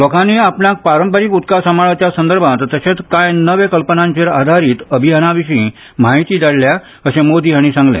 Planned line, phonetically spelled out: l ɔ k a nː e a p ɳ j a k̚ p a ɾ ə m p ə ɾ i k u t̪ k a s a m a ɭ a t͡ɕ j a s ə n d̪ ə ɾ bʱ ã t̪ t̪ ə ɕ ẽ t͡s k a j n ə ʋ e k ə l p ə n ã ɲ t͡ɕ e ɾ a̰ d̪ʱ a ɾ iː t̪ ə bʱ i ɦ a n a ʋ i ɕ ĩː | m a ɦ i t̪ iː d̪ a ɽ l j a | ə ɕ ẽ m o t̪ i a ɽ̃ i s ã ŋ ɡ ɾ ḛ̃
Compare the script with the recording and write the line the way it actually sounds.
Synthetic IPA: l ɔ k a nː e a p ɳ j a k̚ p a ɾ ə m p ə ɾ i k u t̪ k a s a m a ɭ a t͡ɕ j a s ə n d̪ ə ɾ bʱ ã t̪ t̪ ə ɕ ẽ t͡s k a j n ə ʋ e k ə l p ə n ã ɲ t͡ɕ e ɾ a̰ d̪ʱ a ɾ iː t̪ ə bʱ i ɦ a n a ʋ i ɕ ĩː | m a ɦ i t̪ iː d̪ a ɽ l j a | ə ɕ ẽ m o d̪ i a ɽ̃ i s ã ŋ ɡ l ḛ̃